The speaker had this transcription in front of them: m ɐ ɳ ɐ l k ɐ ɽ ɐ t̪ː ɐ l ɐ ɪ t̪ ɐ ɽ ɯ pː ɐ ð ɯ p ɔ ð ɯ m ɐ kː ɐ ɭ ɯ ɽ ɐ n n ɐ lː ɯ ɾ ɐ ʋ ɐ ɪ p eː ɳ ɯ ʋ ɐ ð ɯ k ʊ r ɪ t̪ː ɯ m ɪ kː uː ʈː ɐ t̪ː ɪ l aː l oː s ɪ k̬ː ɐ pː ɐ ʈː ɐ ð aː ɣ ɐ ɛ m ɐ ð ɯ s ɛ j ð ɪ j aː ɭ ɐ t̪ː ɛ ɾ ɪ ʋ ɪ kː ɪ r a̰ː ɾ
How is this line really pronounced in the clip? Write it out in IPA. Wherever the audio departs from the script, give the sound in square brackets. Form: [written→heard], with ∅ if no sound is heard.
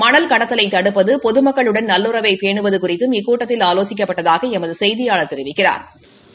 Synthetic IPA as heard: m ɐ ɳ ɐ l k ɐ ɽ ɐ t̪ː ɐ l ɐ ɪ t̪ ɐ ɽ ɯ pː ɐ ð ɯ p ɔ ð ɯ m ɐ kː ɐ ɭ ɯ ɽ ɐ n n ɐ lː ɯ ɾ ɐ ʋ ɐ ɪ p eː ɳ ɯ ʋ ɐ ð ɯ k ʊ r ɪ t̪ː ɯ m ɪ kː uː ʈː ɐ t̪ː ɪ l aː l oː s ɪ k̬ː ɐ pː ɐ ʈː ɐ ð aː ɣ ɐ ɛ m ɐ ð ɯ s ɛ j ð ɪ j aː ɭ ɐ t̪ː ɛ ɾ ɪ ʋ ɪ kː ɪ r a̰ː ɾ

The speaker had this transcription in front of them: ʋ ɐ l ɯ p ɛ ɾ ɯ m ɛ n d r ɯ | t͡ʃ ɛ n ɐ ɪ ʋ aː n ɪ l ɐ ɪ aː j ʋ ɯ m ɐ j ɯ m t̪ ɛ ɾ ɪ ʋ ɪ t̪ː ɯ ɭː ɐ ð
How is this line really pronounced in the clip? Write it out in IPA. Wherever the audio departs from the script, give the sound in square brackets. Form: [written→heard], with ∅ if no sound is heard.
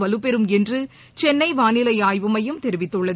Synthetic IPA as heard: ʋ ɐ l ɯ p ɛ ɾ ɯ m ɛ n d r ɯ | t͡ʃ ɛ [n→nː] ɐ ɪ ʋ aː n ɪ l ɐ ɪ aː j ʋ ɯ m ɐ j ɯ m t̪ ɛ ɾ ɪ ʋ ɪ t̪ː ɯ ɭː ɐ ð

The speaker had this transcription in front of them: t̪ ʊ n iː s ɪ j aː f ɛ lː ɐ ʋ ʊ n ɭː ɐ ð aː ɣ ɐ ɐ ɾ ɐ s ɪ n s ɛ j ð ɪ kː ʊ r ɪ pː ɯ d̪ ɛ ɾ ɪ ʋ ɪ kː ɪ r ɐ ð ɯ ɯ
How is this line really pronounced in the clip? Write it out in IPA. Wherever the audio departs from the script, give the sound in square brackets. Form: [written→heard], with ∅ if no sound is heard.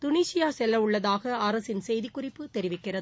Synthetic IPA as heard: t̪ ʊ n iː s ɪ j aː [f→s] ɛ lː ɐ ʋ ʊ [n→∅] ɭː ɐ ð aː ɣ ɐ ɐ ɾ ɐ s ɪ n s ɛ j ð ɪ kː ʊ r ɪ pː ɯ [d̪→t̪] ɛ ɾ ɪ ʋ ɪ kː ɪ r ɐ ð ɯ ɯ

